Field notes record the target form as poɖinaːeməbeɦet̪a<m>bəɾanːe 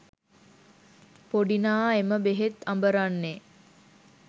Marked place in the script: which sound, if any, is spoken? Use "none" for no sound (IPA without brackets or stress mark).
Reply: m